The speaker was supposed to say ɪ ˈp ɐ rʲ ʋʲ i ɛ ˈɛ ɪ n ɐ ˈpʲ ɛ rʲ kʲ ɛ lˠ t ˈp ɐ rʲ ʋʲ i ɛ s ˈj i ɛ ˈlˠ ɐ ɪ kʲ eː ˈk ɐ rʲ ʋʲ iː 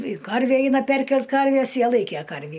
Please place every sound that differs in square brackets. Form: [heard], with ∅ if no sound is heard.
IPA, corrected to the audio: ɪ [ˈk] ɐ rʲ ʋʲ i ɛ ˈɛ ɪ n ɐ ˈpʲ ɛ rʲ kʲ ɛ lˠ t [ˈk] ɐ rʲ ʋʲ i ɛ s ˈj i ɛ ˈlˠ ɐ ɪ kʲ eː ˈk ɐ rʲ ʋʲ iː